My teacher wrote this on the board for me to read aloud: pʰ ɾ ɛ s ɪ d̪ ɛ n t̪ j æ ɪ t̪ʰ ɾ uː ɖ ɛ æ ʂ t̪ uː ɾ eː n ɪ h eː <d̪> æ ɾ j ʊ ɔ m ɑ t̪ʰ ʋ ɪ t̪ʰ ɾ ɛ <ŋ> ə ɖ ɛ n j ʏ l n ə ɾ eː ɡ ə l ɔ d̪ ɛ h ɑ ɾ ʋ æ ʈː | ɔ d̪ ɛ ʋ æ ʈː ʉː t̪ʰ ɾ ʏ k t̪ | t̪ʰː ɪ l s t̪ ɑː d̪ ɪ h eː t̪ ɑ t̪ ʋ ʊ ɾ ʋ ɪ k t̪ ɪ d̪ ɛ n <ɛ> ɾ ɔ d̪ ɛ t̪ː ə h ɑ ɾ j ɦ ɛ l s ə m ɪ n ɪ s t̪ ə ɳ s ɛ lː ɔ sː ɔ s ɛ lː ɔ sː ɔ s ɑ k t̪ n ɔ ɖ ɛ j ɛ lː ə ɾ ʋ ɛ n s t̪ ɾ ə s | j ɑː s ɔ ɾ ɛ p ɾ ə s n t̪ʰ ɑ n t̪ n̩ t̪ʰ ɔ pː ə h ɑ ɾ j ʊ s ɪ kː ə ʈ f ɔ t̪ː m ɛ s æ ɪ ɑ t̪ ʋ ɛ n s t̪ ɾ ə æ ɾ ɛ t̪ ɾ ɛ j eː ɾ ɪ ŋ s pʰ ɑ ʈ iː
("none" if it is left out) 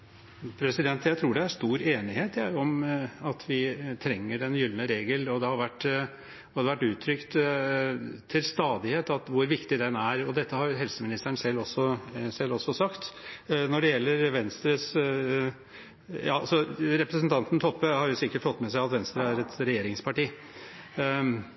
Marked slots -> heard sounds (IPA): t̪, ŋː, æ

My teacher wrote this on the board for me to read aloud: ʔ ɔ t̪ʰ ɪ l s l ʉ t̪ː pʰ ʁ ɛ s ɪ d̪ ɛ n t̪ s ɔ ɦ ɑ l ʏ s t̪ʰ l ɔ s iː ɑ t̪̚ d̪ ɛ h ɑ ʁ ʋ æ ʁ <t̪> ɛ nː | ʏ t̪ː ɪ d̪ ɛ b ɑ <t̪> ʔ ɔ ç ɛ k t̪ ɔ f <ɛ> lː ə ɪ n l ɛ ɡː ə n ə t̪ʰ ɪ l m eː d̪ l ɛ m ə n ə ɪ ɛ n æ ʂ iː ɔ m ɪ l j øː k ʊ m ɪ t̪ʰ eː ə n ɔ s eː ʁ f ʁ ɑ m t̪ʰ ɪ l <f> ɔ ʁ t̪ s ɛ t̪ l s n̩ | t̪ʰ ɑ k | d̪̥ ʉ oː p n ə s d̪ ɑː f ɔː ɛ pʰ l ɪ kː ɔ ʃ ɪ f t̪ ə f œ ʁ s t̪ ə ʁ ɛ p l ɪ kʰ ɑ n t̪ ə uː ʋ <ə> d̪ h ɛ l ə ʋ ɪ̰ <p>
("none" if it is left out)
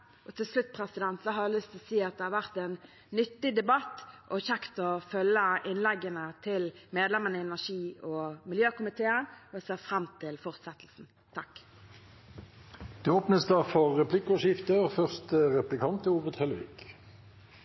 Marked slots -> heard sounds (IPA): t̪, t̪, œ, f, ə, k

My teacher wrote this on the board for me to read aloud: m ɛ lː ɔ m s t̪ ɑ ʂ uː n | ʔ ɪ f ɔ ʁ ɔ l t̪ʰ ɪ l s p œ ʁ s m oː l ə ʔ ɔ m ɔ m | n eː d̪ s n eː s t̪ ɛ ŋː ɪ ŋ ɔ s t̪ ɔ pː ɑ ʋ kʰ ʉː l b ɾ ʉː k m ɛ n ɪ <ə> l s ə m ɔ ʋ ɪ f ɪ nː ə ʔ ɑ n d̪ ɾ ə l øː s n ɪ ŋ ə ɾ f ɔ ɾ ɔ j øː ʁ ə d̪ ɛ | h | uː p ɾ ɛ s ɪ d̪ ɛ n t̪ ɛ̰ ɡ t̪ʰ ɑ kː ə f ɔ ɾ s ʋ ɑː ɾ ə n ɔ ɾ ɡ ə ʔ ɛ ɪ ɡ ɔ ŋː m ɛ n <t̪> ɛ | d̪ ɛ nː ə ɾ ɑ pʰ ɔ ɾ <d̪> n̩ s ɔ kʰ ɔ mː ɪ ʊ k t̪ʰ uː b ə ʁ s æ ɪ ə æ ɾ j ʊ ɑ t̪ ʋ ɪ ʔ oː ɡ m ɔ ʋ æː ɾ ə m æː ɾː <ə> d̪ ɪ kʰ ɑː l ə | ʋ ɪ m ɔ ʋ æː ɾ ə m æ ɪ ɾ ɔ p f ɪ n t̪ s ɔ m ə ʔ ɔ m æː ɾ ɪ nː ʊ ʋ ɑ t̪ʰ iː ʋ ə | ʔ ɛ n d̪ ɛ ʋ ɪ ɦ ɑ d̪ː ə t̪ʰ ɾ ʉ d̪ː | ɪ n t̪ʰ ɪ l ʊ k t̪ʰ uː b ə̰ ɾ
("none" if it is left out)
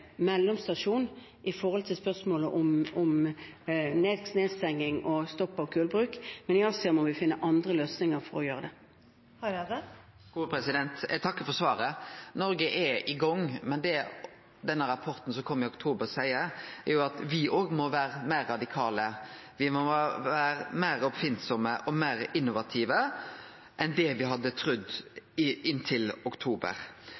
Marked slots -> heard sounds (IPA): ɑ, d̪, t̪, ɑ

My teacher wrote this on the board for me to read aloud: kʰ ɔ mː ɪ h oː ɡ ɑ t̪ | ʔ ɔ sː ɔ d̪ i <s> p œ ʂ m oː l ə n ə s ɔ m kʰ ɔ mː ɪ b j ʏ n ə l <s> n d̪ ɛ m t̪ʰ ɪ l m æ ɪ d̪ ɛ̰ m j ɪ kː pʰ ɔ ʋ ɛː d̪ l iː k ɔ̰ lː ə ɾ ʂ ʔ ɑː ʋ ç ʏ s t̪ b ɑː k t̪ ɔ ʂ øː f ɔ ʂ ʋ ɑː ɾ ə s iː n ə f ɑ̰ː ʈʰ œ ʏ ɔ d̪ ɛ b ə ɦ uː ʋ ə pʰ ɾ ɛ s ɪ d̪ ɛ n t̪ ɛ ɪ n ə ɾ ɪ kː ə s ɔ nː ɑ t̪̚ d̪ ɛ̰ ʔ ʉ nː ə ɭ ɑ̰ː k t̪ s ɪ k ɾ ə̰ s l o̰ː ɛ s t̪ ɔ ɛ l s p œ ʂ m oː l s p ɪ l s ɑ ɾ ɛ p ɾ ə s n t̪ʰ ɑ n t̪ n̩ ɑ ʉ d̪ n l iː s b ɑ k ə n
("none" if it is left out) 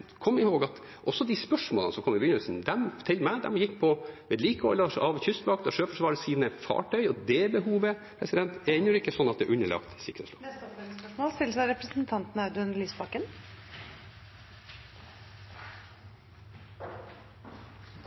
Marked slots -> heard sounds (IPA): s, s

